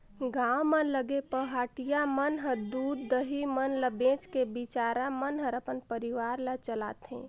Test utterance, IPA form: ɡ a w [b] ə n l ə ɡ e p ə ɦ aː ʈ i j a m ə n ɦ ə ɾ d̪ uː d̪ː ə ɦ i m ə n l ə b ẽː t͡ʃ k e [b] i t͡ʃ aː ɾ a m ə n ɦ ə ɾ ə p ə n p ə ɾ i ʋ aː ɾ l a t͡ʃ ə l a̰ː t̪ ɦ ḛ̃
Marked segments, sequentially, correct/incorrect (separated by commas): incorrect, correct